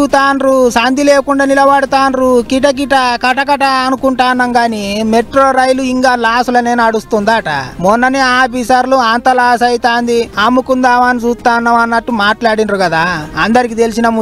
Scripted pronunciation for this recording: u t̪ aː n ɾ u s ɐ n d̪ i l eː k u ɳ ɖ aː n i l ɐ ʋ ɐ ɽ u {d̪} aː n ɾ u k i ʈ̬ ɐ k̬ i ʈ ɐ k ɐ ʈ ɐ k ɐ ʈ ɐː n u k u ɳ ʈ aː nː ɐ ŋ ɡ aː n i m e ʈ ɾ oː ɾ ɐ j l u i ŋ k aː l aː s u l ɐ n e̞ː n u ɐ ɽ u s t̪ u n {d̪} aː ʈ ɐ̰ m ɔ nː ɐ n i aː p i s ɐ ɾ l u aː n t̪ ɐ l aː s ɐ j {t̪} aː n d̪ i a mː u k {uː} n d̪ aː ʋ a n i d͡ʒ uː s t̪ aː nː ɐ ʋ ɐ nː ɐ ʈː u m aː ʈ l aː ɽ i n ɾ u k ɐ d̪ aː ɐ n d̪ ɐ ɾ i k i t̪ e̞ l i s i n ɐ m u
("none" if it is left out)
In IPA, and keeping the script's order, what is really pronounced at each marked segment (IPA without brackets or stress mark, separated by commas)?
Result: t̪, d̪, t̪, u